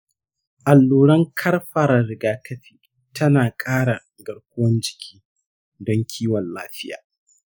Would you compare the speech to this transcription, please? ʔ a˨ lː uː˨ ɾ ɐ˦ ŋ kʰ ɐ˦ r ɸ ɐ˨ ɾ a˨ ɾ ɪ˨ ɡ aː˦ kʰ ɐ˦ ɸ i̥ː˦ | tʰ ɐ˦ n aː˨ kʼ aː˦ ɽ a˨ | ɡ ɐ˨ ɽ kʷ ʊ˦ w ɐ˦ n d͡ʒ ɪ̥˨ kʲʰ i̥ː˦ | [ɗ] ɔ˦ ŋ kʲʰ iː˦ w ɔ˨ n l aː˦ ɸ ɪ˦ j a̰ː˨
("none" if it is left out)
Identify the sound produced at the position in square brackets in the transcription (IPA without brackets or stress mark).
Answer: d